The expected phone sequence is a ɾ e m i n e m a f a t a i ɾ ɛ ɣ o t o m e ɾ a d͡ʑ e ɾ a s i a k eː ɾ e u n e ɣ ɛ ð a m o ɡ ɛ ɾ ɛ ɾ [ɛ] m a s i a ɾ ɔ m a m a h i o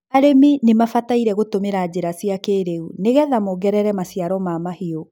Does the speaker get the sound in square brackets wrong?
no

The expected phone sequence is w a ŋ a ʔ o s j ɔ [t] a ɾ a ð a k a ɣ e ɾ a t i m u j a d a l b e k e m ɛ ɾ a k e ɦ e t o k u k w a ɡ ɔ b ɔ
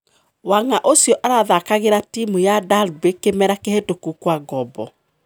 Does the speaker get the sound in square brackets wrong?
yes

